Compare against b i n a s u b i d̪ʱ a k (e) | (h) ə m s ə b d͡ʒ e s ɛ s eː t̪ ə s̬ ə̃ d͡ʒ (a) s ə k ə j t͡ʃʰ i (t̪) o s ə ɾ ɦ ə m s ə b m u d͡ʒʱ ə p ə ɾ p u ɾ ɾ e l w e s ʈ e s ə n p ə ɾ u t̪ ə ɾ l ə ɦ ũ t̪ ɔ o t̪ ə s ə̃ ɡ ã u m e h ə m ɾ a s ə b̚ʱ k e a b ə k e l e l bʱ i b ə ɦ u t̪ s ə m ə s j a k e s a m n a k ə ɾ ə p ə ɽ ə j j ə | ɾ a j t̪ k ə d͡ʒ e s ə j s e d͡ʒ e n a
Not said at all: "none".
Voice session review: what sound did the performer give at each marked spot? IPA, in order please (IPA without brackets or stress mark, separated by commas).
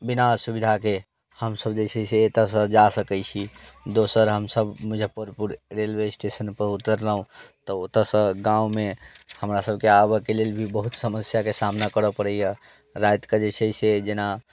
e, h, a, d̪